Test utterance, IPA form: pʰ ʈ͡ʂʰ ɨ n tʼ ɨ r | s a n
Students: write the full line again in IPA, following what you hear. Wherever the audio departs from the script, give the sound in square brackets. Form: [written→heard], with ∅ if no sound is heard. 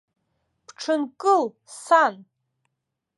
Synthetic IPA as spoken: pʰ ʈ͡ʂʰ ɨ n [tʼ→kʼ] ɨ [r→l] | s a n